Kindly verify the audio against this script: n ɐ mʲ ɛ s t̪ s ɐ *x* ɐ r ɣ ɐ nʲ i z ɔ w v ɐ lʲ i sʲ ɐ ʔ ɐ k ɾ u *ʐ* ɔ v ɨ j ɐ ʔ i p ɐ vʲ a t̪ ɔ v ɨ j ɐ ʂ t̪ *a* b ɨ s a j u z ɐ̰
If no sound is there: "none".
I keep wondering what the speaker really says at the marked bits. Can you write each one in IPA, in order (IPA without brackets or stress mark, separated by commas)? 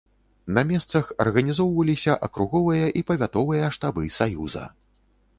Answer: x, ɣ, a